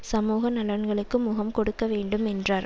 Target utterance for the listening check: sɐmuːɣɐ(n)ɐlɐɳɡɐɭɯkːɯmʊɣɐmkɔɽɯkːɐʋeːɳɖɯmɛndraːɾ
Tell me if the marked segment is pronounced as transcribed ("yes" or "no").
yes